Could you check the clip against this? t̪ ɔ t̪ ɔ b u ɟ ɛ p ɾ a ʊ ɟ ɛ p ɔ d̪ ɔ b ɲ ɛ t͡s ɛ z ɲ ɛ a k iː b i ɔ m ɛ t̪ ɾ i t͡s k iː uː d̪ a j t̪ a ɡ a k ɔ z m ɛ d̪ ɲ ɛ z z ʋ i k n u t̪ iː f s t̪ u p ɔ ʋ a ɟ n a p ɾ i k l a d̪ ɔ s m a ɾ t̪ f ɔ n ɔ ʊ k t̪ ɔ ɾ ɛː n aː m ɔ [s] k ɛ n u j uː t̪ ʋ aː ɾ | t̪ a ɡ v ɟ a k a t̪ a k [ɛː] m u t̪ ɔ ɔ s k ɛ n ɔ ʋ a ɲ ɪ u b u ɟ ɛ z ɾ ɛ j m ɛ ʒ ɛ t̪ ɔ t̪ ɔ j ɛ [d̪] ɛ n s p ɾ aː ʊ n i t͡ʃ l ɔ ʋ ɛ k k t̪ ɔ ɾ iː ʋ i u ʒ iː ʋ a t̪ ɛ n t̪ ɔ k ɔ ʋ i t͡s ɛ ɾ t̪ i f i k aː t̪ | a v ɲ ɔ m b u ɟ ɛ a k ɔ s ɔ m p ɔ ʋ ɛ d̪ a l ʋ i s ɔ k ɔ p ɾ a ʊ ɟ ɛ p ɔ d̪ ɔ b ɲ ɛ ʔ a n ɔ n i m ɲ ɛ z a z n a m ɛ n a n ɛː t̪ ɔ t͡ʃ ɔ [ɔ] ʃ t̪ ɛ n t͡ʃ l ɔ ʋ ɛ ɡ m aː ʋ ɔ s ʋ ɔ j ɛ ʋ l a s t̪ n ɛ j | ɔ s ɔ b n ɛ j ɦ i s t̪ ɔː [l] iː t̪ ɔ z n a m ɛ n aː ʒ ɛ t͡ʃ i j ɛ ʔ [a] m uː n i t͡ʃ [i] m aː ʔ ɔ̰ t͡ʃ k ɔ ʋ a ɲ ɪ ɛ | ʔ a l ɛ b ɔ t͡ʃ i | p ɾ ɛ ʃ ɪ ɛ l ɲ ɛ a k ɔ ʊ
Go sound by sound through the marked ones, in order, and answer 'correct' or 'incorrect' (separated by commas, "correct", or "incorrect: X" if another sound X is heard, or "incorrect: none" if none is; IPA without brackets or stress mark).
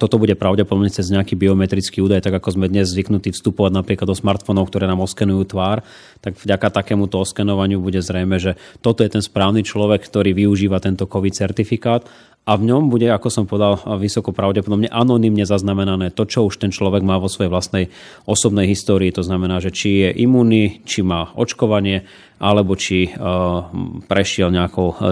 correct, correct, incorrect: t̪, incorrect: u, incorrect: ɾ, incorrect: i, correct